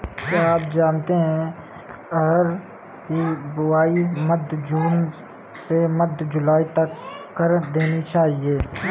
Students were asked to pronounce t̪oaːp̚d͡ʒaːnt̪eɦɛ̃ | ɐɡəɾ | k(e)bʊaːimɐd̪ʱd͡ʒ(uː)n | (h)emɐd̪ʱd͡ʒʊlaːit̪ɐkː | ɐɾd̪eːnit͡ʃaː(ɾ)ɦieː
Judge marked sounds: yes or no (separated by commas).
no, yes, no, no